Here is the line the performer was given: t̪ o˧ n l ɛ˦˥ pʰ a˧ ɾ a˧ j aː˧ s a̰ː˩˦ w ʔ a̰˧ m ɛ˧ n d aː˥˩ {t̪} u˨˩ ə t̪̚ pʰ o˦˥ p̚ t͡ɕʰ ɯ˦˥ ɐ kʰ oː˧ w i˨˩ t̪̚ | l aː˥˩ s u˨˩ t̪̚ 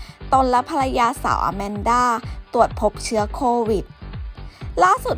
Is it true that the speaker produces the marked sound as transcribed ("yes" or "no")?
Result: yes